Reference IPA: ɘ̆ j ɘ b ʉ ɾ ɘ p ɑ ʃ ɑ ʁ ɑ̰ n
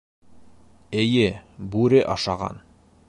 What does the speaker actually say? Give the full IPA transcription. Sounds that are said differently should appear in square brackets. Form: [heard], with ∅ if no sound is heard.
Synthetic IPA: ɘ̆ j ɘ b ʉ ɾ ɘ [ʔ] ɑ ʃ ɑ ʁ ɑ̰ n